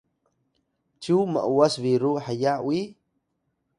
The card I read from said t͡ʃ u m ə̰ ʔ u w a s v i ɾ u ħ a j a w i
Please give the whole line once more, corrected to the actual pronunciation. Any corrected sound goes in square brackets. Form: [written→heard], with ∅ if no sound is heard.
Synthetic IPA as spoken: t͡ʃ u m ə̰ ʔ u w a s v i ɾ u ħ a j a w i